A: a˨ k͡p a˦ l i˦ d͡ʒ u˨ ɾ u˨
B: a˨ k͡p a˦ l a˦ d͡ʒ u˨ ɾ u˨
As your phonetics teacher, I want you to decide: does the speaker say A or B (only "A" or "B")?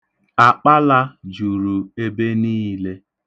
B